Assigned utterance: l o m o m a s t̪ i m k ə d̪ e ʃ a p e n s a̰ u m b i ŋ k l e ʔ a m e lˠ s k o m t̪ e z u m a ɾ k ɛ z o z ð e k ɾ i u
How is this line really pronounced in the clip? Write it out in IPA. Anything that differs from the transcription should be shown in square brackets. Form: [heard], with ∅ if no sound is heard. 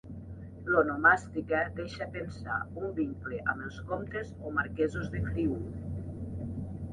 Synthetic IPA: l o [n] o m a s t̪ i [∅] k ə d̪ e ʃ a p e n s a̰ u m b i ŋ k l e ʔ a m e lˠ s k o m t̪ e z [o] m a ɾ k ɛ z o z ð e k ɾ i u